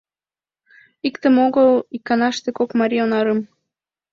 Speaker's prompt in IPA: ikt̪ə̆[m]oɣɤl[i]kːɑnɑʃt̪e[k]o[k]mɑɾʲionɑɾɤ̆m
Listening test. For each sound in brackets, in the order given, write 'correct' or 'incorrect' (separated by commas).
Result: correct, correct, correct, correct